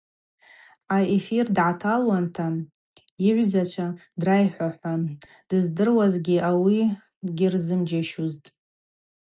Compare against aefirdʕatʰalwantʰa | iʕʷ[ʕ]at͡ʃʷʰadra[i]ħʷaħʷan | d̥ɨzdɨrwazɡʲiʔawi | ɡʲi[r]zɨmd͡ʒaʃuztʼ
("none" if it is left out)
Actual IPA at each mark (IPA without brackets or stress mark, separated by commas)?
z, j, r